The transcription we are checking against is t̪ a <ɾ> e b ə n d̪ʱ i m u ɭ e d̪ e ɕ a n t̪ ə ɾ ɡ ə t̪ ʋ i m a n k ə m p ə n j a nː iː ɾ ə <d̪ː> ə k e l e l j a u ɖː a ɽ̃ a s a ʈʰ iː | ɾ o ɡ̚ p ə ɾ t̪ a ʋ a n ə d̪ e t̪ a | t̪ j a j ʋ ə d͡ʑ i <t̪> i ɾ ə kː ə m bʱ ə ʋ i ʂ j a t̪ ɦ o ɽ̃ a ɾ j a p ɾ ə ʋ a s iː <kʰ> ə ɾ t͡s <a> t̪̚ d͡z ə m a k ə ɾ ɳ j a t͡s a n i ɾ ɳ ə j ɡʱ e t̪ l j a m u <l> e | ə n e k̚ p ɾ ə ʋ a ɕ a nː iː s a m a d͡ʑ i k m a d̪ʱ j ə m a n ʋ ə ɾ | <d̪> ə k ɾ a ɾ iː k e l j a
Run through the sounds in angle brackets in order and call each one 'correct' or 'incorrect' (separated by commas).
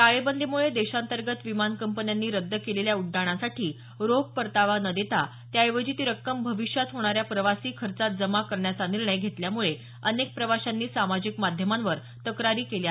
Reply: incorrect, correct, correct, correct, correct, incorrect, incorrect